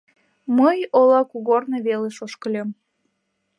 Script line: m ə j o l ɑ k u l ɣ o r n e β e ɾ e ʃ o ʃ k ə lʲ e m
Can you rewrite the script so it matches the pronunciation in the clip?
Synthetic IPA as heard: m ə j o l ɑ k u ɣ o r n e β e l e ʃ o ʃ k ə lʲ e m